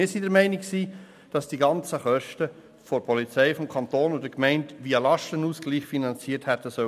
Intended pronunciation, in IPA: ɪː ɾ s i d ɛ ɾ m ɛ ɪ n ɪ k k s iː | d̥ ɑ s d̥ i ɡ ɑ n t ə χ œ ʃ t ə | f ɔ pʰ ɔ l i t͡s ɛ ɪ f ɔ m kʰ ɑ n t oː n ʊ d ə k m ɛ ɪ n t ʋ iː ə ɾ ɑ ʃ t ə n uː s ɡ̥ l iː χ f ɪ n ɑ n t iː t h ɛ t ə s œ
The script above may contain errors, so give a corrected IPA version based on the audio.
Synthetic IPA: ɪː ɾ s i d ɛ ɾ m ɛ ɪ n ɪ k k s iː | d̥ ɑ s d̥ i ɡ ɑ n t͡s ə χ œ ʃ t ə | f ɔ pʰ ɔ l i t͡s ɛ ɪ f ɔ m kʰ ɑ n t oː n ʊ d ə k m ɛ ɪ n t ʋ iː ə l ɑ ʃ t ə n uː s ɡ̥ l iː χ f i n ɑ n t͡s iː t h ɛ t ə s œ